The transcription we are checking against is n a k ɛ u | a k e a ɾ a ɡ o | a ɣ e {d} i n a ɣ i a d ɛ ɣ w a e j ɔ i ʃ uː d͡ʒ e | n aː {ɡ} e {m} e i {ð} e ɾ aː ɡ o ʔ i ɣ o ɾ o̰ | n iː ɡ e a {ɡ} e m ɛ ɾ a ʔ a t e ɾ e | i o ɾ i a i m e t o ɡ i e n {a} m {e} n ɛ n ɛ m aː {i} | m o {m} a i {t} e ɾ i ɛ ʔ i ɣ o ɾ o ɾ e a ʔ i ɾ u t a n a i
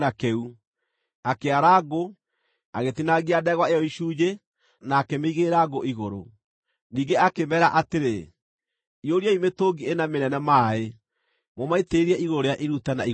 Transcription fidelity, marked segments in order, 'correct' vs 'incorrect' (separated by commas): incorrect, incorrect, correct, incorrect, incorrect, correct, correct, incorrect, correct, correct